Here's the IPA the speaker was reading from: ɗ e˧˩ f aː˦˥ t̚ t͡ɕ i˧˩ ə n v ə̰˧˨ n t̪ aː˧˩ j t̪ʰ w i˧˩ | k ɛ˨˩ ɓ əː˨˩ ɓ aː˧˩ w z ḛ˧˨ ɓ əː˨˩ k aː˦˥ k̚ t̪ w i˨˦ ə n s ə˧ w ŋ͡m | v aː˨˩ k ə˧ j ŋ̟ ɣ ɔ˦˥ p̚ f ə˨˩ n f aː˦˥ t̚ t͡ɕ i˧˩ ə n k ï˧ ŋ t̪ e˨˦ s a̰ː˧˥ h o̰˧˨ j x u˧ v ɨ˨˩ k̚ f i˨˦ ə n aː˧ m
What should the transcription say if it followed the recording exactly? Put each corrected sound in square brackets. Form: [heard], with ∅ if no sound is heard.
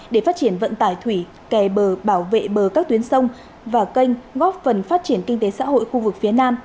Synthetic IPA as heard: ɗ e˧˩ f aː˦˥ t̚ t͡ɕ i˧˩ ə n v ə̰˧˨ n t̪ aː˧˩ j t̪ʰ w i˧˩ | k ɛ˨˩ ɓ əː˨˩ ɓ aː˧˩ w [v] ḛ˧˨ ɓ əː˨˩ k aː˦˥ k̚ t̪ w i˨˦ ə n s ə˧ w ŋ͡m | v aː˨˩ k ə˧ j ŋ̟ ɣ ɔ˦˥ p̚ f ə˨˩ n f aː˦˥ t̚ t͡ɕ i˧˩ ə n k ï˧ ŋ t̪ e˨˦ s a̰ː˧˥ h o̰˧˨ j x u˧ v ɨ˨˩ k̚ f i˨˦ ə n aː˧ m